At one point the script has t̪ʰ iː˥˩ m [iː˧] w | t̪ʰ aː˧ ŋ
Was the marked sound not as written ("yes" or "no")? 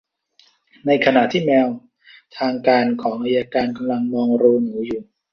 yes